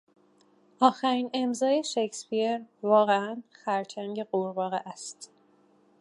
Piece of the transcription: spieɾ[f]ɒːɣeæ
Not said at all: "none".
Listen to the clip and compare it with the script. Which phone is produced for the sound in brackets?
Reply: v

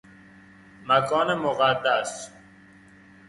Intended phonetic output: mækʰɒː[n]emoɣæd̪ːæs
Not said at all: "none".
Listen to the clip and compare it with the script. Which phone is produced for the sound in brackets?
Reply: n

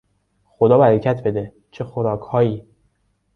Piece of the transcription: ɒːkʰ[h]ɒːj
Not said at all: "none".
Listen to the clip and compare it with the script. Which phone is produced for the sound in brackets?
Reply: h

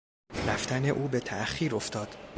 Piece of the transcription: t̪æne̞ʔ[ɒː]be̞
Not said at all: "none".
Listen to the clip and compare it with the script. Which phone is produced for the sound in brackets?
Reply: uː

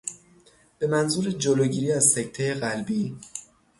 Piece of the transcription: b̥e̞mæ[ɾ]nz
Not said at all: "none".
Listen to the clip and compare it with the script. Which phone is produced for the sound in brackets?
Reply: none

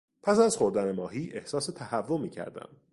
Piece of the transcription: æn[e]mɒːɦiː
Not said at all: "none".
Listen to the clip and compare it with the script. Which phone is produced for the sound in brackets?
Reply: e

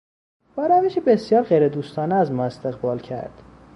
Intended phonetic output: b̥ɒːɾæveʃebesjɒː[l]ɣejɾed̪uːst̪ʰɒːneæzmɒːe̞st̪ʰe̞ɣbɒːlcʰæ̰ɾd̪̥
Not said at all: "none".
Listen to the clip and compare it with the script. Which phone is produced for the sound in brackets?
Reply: ɾ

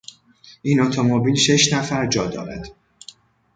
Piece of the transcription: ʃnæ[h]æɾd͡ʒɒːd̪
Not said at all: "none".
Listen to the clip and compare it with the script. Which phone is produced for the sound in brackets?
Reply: f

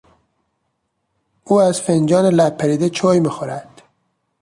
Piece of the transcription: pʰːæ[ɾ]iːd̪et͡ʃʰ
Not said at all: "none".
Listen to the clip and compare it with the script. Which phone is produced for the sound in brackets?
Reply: ɾ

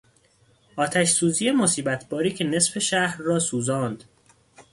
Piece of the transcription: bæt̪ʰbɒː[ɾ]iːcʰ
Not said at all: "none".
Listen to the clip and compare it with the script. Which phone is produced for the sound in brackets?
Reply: ɾ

